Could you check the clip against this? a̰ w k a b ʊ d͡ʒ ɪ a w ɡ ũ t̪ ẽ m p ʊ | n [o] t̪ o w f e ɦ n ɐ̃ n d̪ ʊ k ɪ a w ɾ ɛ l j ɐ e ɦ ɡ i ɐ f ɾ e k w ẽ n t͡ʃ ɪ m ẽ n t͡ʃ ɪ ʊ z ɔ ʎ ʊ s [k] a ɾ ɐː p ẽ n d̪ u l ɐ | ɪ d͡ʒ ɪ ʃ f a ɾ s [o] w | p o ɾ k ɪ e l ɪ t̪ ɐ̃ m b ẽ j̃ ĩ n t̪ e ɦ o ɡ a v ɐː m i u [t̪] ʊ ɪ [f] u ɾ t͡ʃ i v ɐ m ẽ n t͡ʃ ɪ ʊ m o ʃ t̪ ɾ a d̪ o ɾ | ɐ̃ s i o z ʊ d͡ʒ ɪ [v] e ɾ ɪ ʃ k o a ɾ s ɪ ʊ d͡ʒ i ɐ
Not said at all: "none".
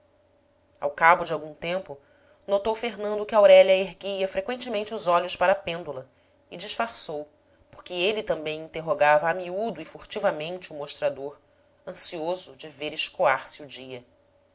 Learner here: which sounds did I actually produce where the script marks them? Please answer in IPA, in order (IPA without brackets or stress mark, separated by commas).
o, p, o, d̪, f, v